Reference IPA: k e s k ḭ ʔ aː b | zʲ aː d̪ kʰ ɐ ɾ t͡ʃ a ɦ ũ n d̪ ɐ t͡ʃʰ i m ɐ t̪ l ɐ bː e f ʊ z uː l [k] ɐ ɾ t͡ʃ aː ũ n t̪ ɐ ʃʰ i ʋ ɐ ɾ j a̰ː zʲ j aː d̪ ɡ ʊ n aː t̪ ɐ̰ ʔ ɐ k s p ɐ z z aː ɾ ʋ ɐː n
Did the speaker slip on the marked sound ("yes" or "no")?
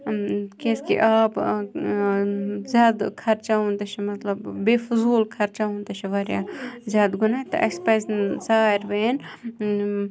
yes